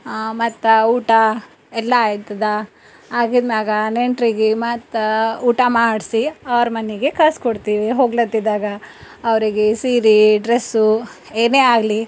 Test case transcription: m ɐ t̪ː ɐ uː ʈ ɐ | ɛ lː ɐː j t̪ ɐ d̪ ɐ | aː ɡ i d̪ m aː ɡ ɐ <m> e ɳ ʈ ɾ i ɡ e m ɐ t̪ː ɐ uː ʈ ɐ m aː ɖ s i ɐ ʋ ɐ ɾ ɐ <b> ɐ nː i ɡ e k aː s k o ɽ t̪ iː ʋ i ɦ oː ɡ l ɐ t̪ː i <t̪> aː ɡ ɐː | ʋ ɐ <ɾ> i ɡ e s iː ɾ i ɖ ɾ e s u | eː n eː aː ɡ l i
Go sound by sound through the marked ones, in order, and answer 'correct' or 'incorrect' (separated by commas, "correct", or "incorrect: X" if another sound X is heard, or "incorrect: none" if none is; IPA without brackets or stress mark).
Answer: incorrect: n, incorrect: m, incorrect: d̪, correct